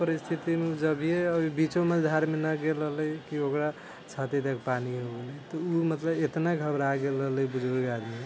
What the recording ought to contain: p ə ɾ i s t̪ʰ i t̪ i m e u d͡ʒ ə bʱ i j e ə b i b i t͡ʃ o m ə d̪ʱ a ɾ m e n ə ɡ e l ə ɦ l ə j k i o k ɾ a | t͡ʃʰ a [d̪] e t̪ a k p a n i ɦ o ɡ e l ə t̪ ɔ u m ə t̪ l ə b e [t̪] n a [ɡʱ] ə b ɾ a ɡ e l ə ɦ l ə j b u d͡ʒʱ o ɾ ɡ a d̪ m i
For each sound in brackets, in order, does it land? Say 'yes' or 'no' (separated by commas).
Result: no, yes, yes